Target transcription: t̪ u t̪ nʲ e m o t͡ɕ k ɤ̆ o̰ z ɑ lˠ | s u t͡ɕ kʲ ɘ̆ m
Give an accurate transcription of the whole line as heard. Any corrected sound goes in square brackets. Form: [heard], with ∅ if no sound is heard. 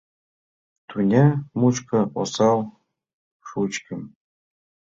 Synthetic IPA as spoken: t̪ u [∅] nʲ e m [u] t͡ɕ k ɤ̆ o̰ [s] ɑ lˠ | [ʂ] u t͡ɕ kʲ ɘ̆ m